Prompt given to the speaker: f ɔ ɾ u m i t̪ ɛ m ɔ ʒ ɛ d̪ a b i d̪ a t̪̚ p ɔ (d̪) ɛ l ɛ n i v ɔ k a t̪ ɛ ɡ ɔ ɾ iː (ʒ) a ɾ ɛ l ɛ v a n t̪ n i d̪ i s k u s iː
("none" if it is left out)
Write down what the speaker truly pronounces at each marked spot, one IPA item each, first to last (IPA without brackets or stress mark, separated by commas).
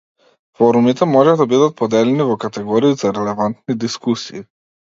d̪, z